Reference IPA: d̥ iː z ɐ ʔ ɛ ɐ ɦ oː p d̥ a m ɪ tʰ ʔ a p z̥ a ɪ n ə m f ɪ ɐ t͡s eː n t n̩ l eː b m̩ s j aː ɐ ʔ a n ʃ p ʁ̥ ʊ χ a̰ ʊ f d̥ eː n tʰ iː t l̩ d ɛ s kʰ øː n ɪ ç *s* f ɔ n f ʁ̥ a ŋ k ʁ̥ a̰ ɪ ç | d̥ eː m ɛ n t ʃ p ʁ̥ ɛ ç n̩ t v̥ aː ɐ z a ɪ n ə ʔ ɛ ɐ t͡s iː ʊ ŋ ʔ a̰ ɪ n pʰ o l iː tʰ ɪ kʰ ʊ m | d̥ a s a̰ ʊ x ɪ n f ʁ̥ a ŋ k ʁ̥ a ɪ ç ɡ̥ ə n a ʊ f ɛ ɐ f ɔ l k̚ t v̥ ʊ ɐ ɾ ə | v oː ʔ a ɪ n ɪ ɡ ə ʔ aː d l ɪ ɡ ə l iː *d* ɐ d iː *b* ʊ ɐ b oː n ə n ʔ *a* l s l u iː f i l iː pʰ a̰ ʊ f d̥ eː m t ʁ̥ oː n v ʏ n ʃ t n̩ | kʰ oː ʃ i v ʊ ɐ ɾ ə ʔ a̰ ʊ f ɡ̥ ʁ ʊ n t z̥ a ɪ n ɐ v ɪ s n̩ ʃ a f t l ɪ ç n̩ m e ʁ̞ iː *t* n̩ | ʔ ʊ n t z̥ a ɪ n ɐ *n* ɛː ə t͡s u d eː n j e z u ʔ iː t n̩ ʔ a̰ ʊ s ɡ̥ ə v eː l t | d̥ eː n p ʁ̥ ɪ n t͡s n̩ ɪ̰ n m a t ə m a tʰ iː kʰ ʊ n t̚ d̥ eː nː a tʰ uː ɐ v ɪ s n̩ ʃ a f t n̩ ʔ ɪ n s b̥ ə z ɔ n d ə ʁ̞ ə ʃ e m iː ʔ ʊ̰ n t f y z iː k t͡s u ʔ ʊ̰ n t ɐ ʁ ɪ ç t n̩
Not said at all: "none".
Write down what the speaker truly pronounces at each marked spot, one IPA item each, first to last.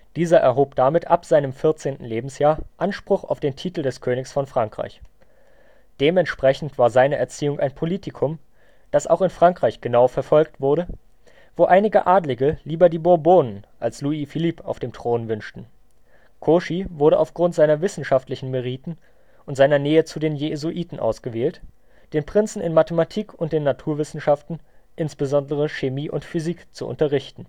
s, b, b, a, t, n

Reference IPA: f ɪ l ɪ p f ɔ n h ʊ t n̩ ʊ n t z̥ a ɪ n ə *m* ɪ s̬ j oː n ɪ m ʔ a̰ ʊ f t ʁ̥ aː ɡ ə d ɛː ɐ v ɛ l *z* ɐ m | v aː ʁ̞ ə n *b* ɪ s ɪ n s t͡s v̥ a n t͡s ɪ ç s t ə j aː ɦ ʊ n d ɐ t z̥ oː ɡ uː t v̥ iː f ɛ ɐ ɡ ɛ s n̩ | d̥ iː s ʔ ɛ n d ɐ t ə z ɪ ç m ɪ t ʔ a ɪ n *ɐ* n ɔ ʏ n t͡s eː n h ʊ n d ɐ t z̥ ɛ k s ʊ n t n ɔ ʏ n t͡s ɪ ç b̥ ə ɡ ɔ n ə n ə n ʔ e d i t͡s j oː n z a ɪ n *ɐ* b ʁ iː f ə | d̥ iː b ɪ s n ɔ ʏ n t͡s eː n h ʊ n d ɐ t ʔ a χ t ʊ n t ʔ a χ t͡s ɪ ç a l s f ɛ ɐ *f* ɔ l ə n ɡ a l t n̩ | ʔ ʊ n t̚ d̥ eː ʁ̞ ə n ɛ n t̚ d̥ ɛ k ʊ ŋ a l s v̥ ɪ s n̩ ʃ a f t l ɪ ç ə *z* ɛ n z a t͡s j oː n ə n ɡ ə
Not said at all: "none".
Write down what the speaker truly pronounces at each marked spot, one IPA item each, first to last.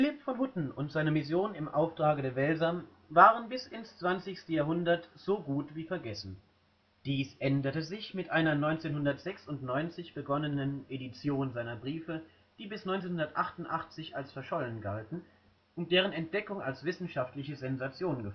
m, z, b, ɐ, ɐ, ʃ, z

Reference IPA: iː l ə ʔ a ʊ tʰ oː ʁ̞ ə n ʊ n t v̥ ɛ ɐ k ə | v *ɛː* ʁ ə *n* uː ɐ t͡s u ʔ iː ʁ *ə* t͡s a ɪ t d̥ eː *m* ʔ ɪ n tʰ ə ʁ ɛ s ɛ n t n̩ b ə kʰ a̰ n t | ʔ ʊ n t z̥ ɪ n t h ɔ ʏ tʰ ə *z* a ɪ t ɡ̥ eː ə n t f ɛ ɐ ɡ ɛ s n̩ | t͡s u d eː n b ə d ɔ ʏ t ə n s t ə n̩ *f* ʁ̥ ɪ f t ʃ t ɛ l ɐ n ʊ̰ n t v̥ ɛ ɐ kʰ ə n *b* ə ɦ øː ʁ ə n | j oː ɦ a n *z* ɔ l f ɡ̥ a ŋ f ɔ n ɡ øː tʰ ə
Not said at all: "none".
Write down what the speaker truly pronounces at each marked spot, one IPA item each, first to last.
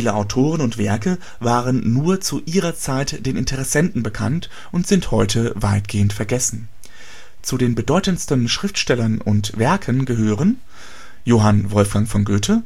aː, nː, ɐ, n, v, ʃ, ɡ, v

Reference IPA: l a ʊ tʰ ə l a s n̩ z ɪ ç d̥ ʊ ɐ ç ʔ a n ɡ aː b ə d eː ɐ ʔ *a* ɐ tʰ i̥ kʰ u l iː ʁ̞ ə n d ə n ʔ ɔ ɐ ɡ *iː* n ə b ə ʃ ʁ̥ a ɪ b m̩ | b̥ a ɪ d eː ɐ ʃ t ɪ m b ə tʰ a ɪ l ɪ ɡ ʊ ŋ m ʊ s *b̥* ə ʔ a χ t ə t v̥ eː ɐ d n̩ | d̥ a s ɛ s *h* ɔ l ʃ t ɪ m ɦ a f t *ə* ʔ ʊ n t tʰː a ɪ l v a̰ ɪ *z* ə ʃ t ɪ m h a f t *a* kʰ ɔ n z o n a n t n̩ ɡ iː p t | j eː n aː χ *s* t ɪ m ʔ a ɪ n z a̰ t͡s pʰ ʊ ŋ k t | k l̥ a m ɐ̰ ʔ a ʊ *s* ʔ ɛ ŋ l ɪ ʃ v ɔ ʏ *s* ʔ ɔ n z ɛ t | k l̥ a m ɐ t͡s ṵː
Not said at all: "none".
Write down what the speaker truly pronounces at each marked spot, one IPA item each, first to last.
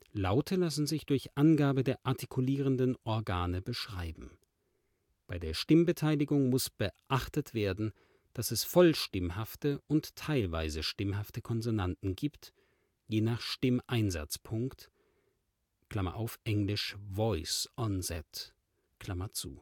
a, aː, b̥, f, ə, z, ə, ʃ, f, s

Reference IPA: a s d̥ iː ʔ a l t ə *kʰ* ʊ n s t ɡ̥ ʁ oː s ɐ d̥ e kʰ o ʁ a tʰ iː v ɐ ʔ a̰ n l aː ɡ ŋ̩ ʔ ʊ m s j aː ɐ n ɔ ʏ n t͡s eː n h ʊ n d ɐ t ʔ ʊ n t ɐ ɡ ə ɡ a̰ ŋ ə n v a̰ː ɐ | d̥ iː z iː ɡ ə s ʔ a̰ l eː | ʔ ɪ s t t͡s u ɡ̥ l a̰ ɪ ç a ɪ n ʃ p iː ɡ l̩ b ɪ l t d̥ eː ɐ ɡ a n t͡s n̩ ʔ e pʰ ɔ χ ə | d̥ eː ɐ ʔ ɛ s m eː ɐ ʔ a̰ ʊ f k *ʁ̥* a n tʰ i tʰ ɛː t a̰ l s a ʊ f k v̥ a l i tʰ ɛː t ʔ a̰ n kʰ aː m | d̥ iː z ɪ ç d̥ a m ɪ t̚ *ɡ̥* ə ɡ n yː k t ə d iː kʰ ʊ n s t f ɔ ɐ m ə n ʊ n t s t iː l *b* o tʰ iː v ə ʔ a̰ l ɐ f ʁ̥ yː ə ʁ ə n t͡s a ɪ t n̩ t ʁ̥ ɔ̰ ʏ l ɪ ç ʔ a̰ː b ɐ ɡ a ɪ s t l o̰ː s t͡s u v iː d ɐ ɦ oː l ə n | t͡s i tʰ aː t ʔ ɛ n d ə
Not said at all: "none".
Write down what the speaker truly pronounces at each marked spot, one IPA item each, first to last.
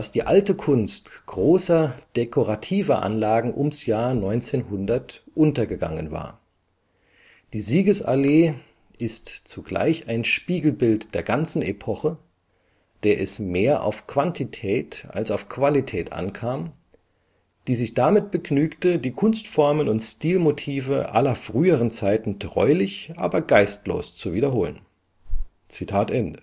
kʰ, v̥, b̥, m

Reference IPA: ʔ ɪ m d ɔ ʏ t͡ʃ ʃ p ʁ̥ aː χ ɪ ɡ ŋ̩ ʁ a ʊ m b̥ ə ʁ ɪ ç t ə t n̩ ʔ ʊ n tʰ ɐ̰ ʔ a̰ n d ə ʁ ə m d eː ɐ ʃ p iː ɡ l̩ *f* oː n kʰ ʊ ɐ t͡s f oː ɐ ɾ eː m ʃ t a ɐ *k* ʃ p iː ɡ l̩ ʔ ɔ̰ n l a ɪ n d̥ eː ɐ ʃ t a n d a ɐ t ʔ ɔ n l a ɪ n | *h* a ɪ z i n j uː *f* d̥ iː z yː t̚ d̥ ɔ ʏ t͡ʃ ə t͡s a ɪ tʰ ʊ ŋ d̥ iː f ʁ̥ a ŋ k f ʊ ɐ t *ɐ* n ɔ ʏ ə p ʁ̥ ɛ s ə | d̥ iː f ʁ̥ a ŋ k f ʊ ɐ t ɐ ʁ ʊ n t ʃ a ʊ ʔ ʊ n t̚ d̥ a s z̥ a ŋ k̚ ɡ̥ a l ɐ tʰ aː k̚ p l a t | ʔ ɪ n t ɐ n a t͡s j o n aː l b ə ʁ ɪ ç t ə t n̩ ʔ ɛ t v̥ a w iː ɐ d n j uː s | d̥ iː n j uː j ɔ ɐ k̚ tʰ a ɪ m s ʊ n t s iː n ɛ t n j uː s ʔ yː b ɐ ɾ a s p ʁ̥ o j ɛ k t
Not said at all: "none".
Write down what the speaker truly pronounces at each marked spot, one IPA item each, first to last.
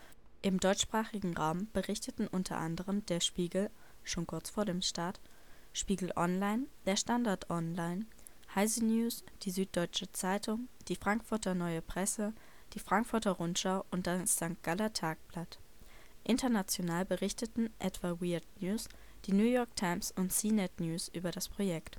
ʃ, t, h, s, ɐ

